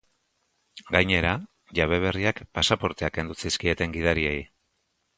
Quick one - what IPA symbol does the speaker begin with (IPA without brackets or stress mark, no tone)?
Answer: ɡ